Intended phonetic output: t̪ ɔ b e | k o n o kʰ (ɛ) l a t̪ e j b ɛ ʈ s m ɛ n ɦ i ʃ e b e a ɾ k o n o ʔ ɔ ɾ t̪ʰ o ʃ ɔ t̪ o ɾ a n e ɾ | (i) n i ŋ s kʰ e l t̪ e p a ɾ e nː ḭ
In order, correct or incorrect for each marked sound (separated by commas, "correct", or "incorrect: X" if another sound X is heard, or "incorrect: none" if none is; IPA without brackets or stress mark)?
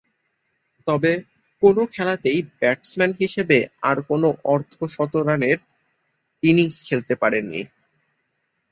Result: correct, correct